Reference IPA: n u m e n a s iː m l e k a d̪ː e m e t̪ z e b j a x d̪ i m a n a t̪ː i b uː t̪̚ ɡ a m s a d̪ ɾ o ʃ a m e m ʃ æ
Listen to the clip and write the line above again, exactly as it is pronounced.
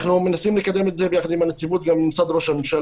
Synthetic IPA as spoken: n u m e n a s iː m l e k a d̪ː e m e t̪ z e b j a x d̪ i m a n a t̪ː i b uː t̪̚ ɡ a m s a d̪ ɾ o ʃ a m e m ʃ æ